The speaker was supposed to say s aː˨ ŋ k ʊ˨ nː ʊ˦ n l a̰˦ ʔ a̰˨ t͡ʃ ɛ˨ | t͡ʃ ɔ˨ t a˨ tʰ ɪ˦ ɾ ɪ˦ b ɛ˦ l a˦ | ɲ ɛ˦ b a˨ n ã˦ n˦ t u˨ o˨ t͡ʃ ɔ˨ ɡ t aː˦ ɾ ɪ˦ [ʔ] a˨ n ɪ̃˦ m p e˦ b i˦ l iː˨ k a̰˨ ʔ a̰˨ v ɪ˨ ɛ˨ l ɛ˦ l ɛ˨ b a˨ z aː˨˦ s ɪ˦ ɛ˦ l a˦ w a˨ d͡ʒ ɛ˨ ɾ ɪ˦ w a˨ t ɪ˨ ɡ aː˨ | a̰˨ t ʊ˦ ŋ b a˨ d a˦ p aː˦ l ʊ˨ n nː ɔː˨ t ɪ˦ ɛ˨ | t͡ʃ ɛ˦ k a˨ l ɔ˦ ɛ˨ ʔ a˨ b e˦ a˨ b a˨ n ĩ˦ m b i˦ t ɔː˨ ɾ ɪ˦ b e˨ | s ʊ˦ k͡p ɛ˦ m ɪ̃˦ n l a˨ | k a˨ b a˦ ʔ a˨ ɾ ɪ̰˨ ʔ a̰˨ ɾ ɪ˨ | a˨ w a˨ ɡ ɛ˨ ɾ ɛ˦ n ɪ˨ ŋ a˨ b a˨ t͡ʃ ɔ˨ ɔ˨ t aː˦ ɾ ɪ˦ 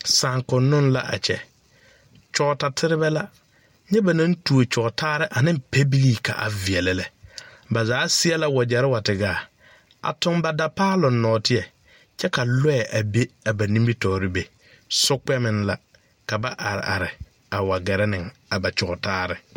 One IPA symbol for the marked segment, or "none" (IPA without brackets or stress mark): ʔ